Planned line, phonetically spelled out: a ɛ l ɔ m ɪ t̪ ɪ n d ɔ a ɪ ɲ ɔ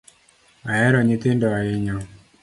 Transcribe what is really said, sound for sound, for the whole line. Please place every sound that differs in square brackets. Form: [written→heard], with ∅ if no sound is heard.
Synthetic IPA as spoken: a ɛ [l→ɾ] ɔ [m→ɲ] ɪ t̪ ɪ n d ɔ a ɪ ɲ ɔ